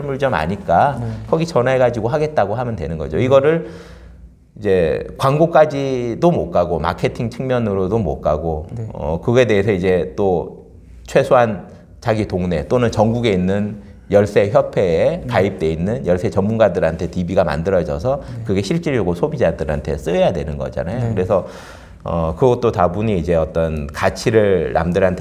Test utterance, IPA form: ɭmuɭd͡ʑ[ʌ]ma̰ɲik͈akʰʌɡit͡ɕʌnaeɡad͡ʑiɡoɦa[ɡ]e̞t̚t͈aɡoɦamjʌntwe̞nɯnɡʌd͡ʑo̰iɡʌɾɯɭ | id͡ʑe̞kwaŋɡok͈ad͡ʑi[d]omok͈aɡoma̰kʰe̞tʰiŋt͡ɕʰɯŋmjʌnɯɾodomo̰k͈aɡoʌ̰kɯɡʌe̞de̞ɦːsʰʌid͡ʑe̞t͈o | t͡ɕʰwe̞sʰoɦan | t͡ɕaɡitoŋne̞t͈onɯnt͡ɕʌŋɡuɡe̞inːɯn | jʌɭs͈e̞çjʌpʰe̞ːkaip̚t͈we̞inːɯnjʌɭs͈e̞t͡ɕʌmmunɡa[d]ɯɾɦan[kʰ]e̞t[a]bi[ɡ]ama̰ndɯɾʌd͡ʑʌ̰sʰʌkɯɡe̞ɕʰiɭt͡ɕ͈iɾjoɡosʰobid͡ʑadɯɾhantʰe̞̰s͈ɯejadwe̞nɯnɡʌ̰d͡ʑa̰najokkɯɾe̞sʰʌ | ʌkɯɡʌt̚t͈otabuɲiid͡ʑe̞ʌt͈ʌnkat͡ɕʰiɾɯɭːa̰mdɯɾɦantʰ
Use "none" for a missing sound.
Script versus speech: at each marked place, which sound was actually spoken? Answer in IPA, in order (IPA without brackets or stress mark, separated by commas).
ʌ, ɡ, d, d, tʰ, i, ɡ